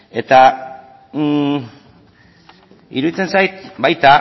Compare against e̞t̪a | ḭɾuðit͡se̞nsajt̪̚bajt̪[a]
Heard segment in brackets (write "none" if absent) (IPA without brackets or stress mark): a